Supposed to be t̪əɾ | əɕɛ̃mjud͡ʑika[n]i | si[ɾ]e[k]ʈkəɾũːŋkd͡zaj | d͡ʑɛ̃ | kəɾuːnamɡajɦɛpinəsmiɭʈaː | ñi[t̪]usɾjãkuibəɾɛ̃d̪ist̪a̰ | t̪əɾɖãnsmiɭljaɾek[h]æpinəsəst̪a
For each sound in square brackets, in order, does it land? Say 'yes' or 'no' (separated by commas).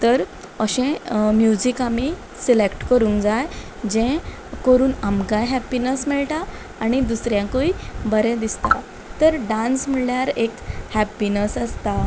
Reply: no, no, yes, no, yes